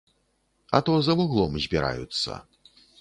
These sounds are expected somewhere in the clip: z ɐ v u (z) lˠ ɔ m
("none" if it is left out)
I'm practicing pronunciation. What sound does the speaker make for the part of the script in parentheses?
ɣ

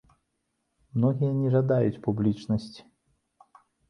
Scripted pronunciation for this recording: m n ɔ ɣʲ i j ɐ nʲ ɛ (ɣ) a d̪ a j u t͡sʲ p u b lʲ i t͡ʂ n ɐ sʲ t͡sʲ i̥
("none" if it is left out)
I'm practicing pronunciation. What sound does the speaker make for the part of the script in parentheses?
ʐ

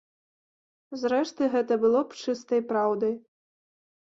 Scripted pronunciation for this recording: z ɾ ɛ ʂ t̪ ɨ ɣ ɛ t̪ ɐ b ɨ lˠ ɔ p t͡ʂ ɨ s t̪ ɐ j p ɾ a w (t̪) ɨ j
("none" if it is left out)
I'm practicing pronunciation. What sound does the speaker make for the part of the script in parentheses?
d̪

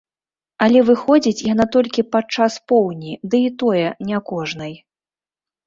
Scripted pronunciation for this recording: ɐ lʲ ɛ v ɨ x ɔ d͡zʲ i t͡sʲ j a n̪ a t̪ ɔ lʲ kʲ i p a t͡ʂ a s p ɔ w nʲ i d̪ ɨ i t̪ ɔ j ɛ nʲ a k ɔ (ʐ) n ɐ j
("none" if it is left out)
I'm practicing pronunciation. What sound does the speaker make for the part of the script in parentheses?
ʐ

